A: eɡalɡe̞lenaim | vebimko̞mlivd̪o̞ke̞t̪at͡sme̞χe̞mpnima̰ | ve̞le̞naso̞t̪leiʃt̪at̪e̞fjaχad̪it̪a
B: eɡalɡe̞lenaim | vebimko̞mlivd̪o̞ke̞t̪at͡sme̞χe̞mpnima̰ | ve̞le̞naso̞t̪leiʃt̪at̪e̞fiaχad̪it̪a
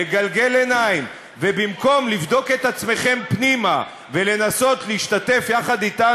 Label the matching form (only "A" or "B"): A